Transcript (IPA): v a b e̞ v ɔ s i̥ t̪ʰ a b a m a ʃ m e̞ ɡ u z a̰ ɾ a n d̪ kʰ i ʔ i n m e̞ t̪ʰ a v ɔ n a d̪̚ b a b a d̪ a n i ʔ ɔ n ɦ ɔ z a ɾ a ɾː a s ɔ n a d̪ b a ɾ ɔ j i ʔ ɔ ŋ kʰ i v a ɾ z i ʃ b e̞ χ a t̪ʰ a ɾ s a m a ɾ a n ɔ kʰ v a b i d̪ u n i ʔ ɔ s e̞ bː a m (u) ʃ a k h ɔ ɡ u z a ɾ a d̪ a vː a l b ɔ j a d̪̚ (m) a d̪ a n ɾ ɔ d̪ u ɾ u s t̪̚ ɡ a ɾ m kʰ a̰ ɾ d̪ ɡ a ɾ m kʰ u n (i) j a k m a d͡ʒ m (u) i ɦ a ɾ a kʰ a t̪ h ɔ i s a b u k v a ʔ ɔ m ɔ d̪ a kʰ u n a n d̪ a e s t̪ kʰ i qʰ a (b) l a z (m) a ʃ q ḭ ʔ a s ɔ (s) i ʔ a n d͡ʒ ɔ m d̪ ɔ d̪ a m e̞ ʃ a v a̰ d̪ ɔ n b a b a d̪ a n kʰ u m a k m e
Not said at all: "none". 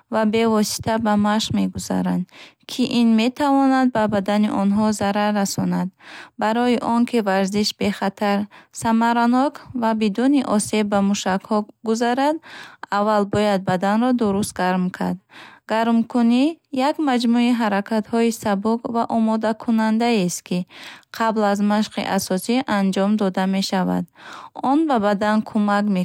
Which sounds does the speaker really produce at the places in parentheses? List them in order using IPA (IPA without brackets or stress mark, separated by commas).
u, b, i, u, b, m, s